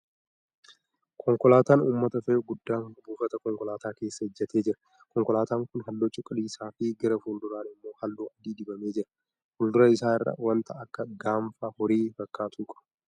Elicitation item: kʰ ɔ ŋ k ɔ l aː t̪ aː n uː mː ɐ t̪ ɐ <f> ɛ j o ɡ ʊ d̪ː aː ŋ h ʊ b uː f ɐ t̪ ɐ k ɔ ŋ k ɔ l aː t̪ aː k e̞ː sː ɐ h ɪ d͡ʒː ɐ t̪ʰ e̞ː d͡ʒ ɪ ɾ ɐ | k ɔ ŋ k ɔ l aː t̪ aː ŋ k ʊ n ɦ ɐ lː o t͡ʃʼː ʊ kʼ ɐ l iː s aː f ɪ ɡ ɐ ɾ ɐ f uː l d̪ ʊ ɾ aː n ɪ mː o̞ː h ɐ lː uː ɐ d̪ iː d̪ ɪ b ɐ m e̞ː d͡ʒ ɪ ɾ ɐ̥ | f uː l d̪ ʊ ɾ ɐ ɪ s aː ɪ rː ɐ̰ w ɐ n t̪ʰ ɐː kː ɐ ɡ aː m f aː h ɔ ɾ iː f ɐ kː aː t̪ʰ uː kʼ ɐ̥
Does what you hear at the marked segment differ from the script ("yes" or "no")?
no